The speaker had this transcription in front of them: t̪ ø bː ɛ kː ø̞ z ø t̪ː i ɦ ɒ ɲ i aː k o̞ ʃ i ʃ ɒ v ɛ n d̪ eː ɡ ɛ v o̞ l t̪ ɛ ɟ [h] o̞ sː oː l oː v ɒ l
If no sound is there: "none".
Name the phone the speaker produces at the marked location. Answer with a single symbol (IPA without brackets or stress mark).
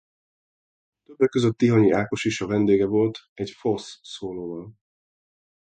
f